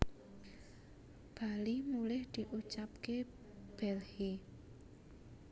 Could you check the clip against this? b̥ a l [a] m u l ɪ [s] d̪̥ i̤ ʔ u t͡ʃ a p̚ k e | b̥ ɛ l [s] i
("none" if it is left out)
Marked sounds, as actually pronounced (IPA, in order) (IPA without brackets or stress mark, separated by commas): i, h, h